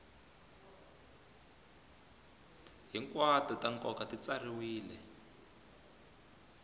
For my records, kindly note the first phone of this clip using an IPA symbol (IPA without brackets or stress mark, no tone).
ɦ